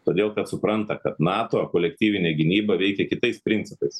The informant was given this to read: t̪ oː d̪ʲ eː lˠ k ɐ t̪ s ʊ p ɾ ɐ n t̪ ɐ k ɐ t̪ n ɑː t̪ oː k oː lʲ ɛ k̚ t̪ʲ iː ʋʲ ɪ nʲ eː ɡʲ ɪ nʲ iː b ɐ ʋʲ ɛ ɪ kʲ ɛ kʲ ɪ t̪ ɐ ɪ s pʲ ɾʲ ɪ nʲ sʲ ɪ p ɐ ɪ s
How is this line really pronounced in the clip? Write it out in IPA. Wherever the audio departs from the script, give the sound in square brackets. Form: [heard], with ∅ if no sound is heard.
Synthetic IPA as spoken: t̪ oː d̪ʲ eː lˠ k ɐ t̪ s ʊ p ɾ ɐ n t̪ ɐ k ɐ t̪ n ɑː t̪ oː k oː lʲ ɛ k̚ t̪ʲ iː ʋʲ ɪ nʲ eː ɡʲ ɪ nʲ iː b ɐ ʋʲ ɛ ɪ kʲ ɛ kʲ ɪ t̪ ɐ ɪ s pʲ ɾʲ ɪ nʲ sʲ ɪ p ɐ ɪ s